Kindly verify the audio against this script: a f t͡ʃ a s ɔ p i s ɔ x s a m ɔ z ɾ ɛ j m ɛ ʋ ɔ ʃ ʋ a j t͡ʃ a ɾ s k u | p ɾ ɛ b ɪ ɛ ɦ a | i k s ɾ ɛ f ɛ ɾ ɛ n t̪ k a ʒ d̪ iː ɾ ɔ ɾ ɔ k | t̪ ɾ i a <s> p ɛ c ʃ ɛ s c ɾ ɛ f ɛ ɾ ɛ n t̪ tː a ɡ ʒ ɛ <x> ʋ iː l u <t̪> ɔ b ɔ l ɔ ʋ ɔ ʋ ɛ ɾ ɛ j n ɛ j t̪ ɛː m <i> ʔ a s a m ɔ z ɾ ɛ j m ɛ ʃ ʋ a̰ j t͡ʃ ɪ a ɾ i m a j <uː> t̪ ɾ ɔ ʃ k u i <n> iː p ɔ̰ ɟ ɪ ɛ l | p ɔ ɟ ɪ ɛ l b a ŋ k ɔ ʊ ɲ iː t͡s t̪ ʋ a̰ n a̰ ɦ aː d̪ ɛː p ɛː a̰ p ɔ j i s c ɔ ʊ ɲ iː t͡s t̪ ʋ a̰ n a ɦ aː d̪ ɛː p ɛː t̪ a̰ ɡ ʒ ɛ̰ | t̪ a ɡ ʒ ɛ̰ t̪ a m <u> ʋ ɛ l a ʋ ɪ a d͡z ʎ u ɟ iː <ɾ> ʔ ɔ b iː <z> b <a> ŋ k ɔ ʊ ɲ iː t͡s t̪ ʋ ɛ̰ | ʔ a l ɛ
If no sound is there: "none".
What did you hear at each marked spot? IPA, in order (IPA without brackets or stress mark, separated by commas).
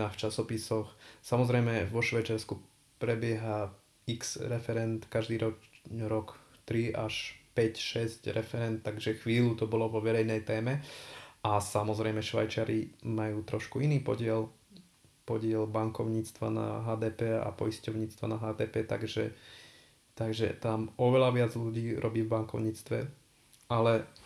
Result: ʃ, x, t̪, ɛ, uː, n, ɔ, ɾ, v, a